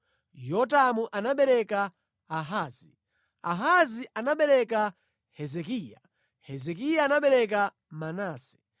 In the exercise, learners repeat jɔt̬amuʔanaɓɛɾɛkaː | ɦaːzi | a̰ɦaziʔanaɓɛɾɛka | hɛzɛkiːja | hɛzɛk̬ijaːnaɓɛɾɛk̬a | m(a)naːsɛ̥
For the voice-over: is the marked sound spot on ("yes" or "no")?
yes